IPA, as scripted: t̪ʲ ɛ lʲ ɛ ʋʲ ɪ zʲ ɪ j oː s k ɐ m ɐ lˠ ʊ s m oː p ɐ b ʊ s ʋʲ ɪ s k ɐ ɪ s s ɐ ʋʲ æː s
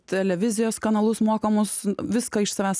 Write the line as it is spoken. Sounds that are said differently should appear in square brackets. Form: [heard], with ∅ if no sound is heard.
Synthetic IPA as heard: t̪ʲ ɛ lʲ ɛ ʋʲ ɪ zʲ ɪ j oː s k ɐ [n] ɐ lˠ ʊ s m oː [k] ɐ [m] ʊ s ʋʲ ɪ s k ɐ ɪ [ʃ] s ɐ ʋʲ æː s